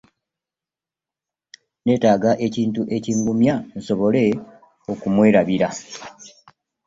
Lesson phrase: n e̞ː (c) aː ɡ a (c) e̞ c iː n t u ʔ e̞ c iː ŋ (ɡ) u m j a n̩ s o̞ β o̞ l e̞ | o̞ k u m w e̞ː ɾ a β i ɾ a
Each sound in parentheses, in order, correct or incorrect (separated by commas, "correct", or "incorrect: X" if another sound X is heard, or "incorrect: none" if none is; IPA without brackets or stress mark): incorrect: t, incorrect: ʔ, correct